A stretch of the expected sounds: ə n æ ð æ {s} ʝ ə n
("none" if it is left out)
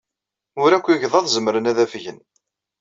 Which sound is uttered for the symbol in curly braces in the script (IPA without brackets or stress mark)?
f